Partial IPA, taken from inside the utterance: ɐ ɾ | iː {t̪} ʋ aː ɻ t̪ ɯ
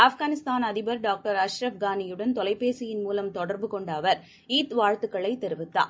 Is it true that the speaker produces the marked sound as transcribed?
yes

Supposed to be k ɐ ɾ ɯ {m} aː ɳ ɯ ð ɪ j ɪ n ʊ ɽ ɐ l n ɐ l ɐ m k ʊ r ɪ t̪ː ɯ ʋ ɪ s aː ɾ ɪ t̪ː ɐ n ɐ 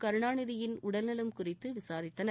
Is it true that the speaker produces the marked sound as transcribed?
no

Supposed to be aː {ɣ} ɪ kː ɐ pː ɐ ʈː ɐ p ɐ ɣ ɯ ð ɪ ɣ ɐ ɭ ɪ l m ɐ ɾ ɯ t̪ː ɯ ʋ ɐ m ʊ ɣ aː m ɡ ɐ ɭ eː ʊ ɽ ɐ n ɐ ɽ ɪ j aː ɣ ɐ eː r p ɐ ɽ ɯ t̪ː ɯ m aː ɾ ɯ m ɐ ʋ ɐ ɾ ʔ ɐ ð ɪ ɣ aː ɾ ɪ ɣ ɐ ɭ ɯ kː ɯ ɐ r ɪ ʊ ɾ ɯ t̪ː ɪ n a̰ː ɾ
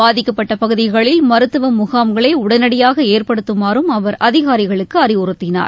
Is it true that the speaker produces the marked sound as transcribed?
no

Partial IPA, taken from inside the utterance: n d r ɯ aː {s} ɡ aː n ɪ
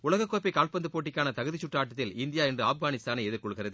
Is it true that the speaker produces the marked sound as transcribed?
no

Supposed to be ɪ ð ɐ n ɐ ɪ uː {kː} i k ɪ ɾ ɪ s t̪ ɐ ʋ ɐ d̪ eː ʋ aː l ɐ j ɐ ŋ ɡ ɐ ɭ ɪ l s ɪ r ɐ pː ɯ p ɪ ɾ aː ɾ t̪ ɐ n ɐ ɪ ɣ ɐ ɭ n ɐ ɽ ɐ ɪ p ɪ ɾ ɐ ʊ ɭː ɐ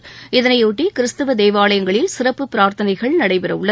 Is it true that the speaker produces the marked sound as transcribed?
no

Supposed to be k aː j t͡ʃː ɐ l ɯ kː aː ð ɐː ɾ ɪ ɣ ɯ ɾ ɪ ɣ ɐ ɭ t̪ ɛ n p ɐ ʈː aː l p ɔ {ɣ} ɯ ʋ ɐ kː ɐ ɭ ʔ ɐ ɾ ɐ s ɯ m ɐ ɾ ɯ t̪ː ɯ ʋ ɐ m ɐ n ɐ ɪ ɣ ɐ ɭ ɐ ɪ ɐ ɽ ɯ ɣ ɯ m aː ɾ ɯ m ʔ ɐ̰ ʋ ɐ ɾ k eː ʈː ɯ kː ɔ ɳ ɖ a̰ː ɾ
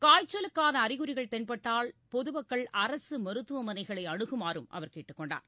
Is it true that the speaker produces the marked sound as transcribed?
no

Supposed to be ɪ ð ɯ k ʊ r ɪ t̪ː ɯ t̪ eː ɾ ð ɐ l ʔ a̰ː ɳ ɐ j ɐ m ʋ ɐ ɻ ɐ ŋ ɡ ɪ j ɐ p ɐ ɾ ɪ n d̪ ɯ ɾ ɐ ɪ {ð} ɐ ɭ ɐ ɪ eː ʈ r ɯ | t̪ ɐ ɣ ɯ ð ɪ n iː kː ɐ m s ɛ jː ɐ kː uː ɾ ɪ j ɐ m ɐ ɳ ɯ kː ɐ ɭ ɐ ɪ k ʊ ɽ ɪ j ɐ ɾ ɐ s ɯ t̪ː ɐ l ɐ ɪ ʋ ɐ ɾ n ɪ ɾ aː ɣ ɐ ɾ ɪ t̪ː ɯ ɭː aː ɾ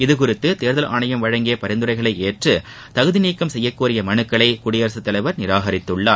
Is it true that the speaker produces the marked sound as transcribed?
no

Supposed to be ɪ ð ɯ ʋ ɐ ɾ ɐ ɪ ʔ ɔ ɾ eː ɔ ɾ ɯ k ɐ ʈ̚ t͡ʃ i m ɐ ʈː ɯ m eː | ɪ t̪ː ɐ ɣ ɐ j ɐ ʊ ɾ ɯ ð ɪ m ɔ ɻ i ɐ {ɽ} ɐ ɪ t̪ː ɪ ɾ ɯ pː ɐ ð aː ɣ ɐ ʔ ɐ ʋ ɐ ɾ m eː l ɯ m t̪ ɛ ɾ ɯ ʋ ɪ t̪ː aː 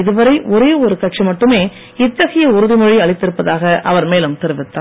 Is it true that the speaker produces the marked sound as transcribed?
no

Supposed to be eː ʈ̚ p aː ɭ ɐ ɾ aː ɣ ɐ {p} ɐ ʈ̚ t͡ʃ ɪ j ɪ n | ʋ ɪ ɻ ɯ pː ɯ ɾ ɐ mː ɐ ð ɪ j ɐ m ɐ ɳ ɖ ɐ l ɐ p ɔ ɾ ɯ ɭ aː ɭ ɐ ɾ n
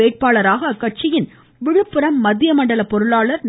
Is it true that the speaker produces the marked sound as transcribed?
no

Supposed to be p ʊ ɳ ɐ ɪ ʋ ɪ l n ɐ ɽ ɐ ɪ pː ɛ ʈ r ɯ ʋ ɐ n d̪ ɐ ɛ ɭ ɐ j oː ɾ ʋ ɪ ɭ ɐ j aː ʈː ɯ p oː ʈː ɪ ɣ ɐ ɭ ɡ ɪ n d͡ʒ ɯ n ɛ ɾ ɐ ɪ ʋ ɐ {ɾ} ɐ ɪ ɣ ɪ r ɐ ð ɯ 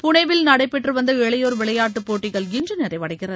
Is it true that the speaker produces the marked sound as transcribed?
no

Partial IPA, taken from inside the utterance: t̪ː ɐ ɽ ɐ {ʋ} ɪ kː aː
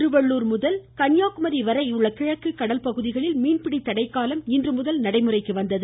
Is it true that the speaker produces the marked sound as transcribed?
no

